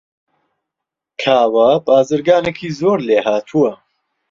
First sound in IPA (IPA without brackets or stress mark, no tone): kʰ